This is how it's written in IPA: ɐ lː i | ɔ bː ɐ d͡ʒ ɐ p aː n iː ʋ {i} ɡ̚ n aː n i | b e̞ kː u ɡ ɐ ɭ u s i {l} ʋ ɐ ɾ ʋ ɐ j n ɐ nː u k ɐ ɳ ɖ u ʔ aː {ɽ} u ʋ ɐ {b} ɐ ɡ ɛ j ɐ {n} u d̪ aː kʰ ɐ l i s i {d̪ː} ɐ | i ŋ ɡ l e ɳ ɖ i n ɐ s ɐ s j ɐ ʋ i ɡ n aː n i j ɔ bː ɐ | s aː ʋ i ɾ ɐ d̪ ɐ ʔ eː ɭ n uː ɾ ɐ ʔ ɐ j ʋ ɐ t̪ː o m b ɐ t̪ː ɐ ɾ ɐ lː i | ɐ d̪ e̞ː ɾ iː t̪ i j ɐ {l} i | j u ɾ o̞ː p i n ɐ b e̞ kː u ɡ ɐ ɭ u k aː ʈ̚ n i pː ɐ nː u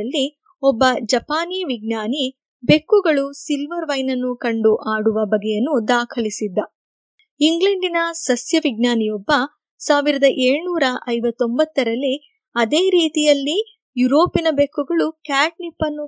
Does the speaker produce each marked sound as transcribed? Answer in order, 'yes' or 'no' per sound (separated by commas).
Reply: yes, yes, yes, yes, no, yes, no